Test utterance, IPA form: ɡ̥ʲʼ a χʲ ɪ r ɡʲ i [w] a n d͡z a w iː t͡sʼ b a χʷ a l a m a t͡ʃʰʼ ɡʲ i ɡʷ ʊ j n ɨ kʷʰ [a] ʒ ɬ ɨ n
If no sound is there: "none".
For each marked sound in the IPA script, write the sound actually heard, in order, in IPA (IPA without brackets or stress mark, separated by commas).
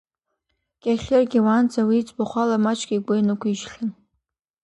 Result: w, i